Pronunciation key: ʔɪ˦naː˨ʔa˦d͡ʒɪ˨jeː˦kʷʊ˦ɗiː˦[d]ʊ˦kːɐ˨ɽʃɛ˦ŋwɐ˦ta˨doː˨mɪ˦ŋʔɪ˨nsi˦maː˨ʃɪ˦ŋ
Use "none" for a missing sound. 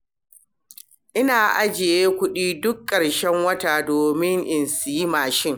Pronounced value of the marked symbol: d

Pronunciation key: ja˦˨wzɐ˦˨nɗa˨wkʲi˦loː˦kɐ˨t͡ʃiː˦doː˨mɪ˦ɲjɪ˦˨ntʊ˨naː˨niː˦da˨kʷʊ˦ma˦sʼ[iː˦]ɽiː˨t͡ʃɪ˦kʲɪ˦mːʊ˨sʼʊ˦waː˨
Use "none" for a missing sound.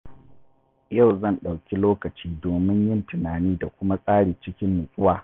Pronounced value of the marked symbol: aː˦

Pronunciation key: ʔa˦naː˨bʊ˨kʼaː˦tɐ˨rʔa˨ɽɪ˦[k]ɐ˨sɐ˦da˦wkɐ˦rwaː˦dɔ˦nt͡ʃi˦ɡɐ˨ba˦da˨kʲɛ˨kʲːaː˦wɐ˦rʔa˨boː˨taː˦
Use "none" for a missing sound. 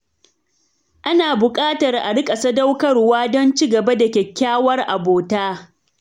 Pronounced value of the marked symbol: kʼ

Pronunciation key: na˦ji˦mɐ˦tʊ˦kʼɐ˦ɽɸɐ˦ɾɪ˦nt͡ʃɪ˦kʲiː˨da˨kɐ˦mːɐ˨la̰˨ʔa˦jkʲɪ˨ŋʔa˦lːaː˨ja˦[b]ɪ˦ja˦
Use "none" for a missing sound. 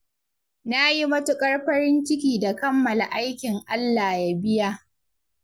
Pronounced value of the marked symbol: b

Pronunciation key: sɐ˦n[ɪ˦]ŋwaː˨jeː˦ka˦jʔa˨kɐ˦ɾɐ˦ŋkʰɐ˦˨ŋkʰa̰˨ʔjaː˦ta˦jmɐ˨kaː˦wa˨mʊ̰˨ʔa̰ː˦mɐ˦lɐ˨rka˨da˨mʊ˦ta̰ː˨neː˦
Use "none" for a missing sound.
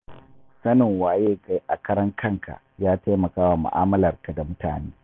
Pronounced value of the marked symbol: ɪ˨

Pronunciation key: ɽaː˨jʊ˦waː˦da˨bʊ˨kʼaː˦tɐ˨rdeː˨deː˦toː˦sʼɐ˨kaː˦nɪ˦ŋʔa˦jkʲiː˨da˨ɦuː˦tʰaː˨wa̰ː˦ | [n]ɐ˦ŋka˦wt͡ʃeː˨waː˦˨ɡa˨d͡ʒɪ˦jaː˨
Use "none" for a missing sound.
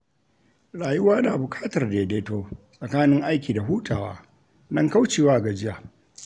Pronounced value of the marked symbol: n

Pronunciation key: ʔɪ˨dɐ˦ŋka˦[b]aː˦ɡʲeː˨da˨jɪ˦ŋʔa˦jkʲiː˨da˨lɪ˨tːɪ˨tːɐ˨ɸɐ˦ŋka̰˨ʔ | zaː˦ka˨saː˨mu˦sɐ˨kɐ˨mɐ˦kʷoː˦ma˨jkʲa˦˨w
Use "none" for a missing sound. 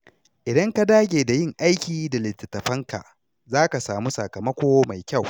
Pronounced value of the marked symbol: d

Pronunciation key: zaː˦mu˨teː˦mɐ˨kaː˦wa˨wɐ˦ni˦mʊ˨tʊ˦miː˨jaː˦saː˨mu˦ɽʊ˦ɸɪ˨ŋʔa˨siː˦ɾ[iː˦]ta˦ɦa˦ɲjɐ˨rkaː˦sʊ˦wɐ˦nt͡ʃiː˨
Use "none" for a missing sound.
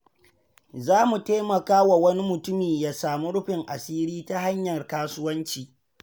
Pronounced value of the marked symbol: iː˦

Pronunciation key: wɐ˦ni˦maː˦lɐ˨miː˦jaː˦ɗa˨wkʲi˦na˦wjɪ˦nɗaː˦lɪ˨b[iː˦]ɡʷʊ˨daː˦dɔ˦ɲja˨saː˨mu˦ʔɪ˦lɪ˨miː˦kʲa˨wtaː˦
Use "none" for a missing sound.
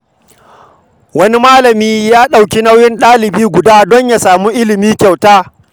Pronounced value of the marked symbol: iː˦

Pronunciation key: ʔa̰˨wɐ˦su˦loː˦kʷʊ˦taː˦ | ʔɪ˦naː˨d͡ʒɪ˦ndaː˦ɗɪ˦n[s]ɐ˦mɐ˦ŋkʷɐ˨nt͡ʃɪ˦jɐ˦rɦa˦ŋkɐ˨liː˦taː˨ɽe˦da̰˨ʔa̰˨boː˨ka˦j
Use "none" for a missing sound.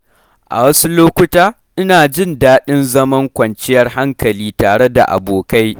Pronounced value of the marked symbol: z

